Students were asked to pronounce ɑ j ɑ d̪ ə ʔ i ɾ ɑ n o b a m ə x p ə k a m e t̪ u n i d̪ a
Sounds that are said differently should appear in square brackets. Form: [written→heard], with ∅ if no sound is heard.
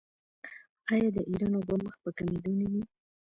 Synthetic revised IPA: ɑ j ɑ d̪ ə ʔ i ɾ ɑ n o b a m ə x p ə k a m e [t̪→d̪] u n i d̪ [a→i]